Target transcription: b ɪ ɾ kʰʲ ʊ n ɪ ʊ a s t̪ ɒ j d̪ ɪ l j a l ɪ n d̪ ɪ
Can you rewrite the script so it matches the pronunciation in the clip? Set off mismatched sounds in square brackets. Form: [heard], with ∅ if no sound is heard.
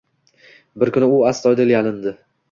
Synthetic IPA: b ɪ ɾ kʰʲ ʊ n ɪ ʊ a s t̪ ɒ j d̪ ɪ l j a l ɪ n d̪ ɪ